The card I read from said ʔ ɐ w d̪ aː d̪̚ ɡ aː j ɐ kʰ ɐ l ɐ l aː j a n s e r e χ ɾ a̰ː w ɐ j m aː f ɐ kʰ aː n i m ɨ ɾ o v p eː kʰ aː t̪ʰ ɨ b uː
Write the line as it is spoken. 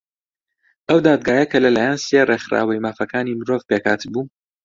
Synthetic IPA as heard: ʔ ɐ w d̪ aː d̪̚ ɡ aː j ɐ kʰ ɐ l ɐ l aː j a n s e r e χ ɾ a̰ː w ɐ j m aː f ɐ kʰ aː n i m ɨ ɾ o v p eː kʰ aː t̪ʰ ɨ b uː